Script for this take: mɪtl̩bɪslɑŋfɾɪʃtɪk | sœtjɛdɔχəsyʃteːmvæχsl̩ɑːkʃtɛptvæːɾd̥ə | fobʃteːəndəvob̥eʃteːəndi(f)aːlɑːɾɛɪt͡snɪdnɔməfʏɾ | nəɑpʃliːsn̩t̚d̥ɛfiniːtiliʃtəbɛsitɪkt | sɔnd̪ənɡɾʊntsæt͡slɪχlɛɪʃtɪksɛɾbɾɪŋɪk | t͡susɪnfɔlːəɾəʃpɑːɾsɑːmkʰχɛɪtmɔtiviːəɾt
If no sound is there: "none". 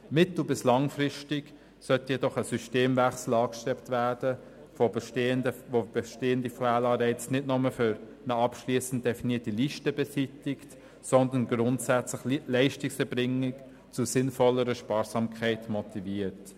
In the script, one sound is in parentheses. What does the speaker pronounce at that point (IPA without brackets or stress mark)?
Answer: f